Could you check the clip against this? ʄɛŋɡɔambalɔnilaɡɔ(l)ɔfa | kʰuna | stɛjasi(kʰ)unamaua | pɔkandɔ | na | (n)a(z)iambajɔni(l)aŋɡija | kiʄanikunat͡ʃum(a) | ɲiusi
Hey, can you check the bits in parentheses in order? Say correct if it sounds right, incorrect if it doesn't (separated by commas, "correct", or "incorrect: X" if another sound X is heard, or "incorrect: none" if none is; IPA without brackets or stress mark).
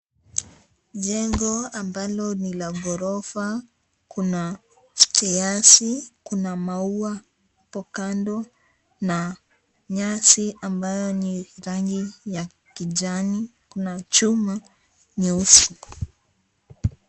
incorrect: ɾ, incorrect: k, incorrect: ɲ, incorrect: s, incorrect: ɾ, correct